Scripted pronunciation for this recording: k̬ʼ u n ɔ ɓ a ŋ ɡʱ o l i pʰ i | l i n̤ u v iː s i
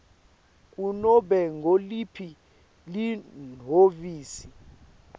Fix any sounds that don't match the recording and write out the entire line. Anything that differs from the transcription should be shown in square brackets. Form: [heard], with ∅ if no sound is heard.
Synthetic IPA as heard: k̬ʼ u n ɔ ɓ [ɛ] ŋ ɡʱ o l i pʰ i | l i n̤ [o] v iː s i